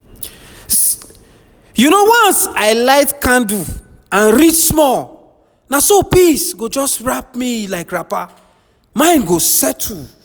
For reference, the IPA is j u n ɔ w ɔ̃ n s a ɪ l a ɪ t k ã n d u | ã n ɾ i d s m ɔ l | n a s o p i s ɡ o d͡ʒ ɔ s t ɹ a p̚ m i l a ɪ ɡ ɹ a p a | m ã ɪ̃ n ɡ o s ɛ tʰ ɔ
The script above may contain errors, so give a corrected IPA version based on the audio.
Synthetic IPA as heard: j u n o w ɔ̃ n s a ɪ l a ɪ t k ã n d u | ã n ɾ i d s m ɔ l | n a s o p i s ɡ o d͡ʒ ɔ s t ɹ a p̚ m i l a ɪ k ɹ a p a | m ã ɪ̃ n ɡ o s ɛ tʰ u

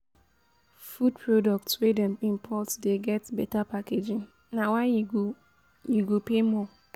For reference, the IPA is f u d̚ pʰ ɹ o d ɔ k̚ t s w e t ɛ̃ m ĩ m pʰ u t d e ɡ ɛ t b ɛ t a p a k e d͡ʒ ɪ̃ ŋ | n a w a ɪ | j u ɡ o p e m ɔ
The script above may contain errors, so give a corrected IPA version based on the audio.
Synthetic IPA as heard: f u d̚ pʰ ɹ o d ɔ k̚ t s w e d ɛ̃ m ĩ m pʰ ɔ t d e ɡ ɛ t b ɛ t a p a k e d͡ʒ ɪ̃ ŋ | n a w a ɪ | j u ɡ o p e m ɔ

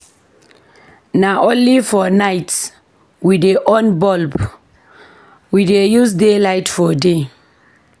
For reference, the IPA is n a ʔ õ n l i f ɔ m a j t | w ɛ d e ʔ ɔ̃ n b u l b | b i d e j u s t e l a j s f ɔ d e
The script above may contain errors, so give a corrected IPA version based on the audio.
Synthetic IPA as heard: n a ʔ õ n l i f ɔ n a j t | w i d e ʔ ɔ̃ n b ɔ l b | w i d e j u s d e l a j t f ɔ d e

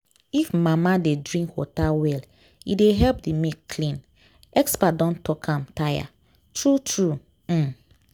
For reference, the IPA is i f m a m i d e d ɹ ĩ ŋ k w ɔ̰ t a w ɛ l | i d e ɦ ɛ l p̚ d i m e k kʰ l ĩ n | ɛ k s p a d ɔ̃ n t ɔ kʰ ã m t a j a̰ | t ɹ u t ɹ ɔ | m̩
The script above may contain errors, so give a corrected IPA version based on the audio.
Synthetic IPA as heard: i f m a m a d e d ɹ ĩ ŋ k w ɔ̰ t a w ɛ l | i d e ɦ ɛ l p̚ d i m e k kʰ l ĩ n | ɛ k s p a d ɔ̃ n t ɔ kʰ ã m t a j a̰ | t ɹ u t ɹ u | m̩

